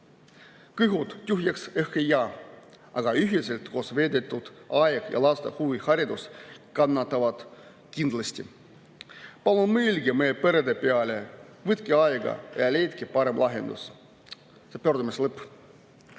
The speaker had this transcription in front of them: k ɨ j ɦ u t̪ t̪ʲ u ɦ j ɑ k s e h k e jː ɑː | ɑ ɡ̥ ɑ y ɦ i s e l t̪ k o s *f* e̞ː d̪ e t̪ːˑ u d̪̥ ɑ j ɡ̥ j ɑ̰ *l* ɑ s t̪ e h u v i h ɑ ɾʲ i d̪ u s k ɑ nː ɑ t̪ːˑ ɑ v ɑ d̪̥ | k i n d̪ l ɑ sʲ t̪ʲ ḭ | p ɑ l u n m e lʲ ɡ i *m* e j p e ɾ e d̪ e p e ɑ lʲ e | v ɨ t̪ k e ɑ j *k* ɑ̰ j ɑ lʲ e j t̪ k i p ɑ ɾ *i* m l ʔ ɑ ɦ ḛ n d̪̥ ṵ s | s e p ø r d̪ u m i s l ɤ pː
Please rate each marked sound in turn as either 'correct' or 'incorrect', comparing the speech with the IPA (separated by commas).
incorrect, correct, correct, incorrect, incorrect